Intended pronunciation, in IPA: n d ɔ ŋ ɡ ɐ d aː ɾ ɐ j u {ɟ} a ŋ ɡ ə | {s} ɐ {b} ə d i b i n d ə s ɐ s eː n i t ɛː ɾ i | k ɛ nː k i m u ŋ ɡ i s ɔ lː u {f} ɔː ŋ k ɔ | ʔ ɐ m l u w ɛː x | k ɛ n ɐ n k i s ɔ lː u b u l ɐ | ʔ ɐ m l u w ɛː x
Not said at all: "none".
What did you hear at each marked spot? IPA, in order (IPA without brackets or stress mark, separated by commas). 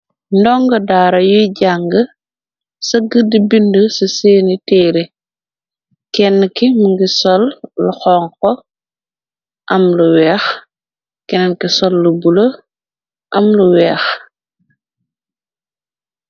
ɟ, s, ɡ, x